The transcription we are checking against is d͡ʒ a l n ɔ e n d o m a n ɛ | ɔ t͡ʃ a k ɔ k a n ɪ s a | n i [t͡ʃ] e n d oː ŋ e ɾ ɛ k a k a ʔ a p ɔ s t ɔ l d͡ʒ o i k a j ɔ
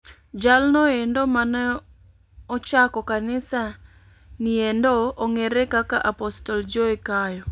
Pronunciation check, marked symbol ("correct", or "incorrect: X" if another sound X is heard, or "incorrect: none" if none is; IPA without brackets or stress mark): incorrect: none